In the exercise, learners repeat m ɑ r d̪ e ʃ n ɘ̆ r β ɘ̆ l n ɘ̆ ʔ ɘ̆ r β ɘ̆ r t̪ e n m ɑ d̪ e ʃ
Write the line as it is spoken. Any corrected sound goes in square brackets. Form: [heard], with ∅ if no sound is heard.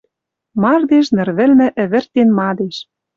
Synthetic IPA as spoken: m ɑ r d̪ e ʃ n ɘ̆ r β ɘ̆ l [m] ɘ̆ ʔ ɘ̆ [∅] β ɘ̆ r t̪ e n m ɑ d̪ e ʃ